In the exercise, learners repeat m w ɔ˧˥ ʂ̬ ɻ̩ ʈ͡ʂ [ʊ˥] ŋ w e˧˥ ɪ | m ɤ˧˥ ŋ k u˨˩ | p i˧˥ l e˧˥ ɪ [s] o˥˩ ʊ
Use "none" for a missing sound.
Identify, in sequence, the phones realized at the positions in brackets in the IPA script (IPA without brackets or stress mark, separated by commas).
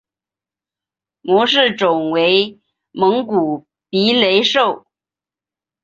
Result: ʊ˨˩, ʂ